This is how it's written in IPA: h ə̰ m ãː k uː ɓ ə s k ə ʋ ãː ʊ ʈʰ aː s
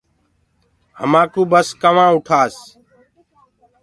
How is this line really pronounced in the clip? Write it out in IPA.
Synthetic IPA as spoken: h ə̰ m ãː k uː b ə s k ə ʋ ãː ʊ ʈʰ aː s